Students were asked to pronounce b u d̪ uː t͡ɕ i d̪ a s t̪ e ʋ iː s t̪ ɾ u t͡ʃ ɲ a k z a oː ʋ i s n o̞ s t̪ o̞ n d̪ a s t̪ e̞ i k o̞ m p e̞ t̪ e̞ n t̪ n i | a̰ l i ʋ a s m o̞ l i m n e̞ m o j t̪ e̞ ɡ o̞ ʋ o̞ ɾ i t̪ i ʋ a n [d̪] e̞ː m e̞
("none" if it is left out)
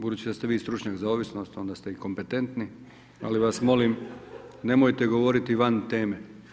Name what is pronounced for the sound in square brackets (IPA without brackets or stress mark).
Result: t̪